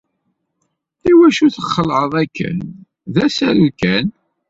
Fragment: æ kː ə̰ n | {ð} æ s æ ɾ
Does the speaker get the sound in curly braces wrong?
no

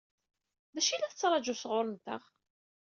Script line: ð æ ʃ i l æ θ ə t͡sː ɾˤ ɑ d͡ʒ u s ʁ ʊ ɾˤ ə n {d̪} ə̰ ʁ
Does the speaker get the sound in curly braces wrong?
yes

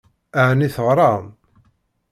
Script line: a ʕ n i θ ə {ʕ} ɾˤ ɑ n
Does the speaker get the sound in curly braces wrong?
yes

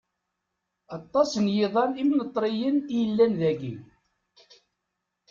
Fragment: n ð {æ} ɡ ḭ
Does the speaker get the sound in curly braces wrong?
no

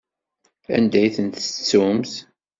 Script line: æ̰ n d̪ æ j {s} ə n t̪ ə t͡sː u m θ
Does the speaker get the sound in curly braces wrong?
yes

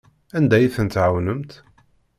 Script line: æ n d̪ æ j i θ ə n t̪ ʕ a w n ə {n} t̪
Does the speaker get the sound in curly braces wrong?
yes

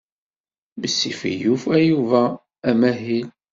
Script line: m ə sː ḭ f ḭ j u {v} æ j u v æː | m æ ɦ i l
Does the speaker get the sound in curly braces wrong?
yes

